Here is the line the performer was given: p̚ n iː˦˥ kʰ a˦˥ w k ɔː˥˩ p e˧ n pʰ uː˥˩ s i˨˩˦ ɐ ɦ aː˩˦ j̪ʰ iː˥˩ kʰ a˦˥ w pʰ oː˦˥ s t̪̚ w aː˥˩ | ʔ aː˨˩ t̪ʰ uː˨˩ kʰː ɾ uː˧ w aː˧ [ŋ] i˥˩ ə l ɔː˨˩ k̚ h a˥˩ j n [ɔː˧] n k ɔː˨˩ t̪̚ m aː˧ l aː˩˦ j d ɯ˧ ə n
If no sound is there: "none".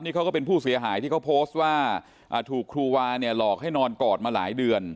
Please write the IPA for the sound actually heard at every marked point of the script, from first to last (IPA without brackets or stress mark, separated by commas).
n, ɔː˧